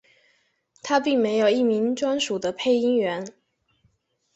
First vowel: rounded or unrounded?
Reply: unrounded